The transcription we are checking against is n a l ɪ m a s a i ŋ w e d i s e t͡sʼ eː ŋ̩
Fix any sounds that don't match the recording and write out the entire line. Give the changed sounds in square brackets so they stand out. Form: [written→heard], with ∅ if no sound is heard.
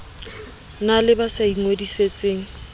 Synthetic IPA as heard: n a l ɪ [m→b] a s a i ŋ w e d i s e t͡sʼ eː ŋ̩